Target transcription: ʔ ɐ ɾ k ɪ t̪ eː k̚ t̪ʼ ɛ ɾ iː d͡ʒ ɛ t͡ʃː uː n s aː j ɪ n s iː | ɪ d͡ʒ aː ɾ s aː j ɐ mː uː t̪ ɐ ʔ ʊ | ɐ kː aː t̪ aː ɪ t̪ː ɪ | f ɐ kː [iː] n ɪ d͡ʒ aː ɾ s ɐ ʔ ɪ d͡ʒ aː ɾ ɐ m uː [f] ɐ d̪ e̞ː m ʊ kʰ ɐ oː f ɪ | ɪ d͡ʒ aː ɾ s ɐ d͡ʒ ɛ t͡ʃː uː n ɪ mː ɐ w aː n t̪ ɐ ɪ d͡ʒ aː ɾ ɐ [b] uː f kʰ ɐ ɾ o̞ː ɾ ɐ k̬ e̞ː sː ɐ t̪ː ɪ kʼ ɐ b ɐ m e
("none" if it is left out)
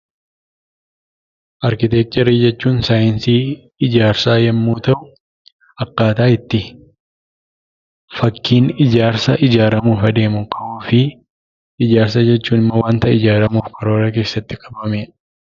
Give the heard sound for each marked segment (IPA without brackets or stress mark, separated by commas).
iː, f, m